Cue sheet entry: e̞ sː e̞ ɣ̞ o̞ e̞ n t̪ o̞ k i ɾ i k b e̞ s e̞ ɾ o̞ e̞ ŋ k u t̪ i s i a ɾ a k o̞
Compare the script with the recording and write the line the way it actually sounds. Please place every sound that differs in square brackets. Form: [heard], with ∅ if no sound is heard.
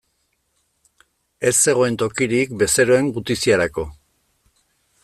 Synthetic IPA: e̞ sː e̞ ɣ̞ o̞ e̞ n t̪ o̞ k i ɾ i k b e̞ s e̞ ɾ o̞ e̞ ŋ [ɡ] u t̪ i s i a ɾ a k o̞